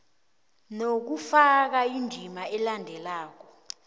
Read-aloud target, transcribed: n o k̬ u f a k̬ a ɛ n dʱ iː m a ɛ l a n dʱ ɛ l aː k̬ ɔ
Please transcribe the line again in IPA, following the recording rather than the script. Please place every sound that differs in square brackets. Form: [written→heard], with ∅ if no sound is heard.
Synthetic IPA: n o k̬ u f a k̬ a [ɛ→i] n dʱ [iː→i] m a ɛ l a n dʱ ɛ l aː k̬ ɔ